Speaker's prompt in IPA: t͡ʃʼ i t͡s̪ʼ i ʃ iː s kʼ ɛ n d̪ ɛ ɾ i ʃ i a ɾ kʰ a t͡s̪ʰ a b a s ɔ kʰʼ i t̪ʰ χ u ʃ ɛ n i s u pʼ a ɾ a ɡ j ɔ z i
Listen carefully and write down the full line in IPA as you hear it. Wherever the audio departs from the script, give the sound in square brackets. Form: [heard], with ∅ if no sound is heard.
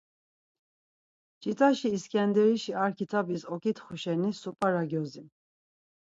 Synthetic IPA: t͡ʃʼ i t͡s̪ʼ [a] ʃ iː s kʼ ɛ n d̪ ɛ ɾ i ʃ i a ɾ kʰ [i] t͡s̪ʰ a b [i] s ɔ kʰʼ i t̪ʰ χ u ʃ ɛ n i s u pʼ a ɾ a ɡ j ɔ z i